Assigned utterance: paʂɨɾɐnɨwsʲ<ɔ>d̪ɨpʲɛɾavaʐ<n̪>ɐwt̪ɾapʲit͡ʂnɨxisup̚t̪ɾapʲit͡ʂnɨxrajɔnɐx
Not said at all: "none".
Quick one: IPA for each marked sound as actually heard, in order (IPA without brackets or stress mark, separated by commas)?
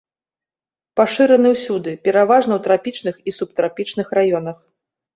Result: u, n̪